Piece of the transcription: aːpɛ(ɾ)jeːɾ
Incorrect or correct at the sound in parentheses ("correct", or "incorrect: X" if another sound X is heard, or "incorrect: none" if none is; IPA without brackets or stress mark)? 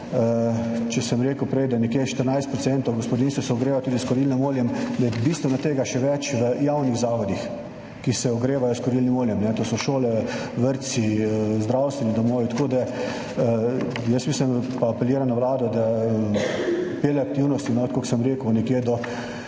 incorrect: l